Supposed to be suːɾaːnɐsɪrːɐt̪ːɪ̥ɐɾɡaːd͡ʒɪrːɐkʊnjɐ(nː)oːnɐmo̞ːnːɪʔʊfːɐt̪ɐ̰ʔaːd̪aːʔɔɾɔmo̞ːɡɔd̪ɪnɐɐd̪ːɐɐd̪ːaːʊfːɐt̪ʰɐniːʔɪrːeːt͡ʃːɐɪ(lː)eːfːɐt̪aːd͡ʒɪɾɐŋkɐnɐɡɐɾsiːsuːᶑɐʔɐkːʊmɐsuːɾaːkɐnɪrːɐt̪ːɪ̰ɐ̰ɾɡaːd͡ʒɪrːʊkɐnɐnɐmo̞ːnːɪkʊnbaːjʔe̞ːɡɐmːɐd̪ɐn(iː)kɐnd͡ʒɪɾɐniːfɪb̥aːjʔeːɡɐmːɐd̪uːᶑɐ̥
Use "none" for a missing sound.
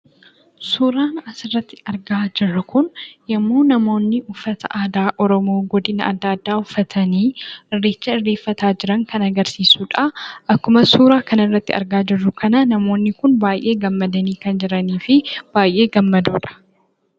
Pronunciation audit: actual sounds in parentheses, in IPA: mː, rː, iː

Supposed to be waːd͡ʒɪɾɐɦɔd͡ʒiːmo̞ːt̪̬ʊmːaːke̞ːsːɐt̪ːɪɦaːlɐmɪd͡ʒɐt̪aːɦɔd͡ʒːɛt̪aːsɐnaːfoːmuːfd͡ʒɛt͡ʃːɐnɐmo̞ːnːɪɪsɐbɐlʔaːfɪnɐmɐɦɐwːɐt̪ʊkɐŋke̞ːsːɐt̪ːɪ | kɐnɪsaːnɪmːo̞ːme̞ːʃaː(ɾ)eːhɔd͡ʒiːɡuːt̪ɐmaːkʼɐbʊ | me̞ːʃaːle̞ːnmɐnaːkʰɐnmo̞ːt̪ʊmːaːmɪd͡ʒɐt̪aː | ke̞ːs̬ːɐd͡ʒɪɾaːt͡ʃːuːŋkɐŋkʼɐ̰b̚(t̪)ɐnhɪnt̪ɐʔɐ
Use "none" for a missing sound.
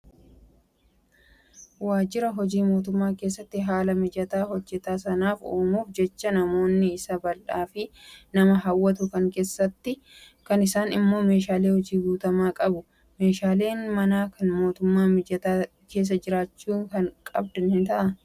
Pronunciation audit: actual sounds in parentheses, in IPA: l, d̪

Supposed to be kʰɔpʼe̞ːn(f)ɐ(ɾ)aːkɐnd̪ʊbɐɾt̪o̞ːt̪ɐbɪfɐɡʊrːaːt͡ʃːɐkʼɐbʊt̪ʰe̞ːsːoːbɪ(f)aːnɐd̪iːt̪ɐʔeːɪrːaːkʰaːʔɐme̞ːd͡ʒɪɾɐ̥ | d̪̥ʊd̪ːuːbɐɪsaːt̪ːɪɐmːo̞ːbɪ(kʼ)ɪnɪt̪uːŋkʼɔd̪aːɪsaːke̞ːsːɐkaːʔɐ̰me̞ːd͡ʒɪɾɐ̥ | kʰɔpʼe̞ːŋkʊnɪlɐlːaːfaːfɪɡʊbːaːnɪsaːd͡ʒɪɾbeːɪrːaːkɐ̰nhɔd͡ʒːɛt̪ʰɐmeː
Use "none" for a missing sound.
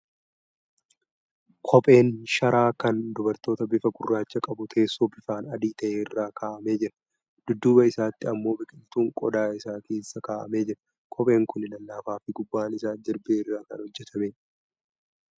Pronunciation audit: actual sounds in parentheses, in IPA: ʃ, ɾ, f, kʼ

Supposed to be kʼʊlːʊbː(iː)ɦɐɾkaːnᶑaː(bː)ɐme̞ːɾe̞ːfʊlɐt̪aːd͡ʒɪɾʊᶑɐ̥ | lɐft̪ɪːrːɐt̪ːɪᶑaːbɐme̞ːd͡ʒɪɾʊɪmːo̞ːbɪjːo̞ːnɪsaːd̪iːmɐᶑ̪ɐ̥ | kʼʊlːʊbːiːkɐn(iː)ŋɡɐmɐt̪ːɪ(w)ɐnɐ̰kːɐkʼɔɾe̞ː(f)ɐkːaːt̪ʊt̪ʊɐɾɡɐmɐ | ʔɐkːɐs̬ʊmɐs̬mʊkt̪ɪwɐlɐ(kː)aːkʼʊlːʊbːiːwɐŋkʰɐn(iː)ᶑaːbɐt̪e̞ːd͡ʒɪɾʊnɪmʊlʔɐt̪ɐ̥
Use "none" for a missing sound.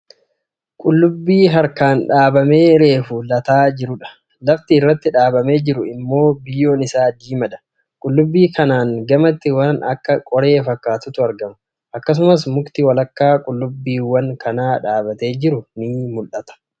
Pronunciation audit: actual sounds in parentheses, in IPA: iː, b, aː, w, f, kː, aː

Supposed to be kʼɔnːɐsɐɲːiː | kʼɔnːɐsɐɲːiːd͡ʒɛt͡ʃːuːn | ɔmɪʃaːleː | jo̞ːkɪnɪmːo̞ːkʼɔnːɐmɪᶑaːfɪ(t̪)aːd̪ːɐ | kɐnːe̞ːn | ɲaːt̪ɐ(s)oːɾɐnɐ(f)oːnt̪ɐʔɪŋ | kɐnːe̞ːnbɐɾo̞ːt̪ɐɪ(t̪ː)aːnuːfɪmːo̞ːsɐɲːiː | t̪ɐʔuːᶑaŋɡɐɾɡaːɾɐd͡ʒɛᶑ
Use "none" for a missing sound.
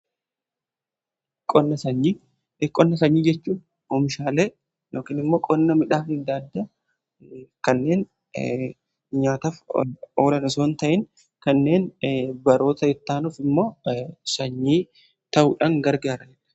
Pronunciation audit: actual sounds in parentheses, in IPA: d̪, f, s, t̪ː

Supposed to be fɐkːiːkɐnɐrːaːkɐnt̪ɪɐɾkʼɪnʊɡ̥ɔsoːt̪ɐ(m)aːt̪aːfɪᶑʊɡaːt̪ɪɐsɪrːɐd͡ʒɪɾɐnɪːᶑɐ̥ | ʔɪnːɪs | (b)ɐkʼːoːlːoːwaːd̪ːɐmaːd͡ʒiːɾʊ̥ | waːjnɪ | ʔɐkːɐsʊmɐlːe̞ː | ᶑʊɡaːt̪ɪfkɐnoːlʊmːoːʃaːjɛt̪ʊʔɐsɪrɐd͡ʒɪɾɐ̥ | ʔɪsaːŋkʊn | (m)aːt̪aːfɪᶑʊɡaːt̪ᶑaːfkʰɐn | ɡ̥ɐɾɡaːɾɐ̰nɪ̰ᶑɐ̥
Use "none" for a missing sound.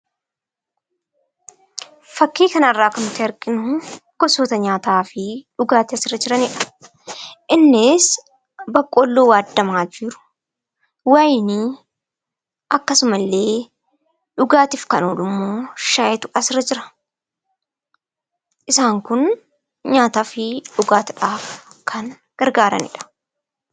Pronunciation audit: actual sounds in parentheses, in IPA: ɲ, b, ɲ

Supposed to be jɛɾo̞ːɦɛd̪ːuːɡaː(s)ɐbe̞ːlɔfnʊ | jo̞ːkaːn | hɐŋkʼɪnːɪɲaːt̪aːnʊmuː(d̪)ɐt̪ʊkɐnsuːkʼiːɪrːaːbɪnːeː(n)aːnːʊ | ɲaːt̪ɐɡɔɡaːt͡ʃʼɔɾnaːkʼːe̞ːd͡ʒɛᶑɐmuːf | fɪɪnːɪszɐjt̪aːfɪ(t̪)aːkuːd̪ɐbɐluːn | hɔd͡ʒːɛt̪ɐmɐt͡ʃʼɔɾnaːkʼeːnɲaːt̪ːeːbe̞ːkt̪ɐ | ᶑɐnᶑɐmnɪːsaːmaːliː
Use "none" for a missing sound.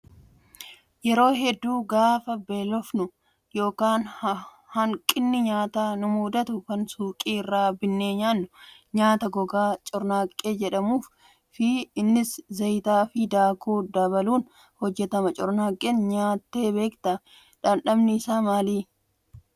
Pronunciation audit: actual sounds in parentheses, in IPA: f, d̪, ɲ, d̪

